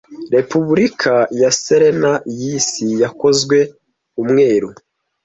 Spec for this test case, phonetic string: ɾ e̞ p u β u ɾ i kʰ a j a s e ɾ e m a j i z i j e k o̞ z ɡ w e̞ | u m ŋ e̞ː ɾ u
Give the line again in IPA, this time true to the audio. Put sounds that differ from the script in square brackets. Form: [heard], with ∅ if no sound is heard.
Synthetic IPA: ɾ e̞ p u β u ɾ i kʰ a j a s e ɾ e [n] a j i [s] i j [a] k o̞ z ɡ w e̞ | u m ŋ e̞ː ɾ u